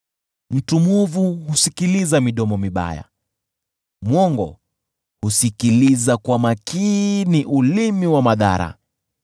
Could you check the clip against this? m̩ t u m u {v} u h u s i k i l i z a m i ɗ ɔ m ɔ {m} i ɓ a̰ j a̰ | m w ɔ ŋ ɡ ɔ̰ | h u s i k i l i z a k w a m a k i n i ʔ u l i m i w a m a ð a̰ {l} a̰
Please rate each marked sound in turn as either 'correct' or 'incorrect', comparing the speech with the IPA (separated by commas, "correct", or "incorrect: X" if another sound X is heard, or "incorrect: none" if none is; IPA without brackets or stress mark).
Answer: correct, correct, incorrect: ɾ